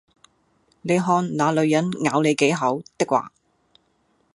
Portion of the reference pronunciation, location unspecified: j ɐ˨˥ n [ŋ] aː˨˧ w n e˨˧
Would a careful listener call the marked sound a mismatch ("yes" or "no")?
no